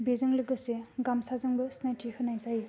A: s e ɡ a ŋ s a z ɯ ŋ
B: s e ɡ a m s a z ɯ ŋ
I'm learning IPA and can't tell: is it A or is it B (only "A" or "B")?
B